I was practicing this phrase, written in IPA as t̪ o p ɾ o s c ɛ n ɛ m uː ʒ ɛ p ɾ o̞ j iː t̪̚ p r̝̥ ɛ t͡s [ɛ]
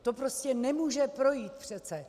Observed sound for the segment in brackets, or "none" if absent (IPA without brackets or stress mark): ɛ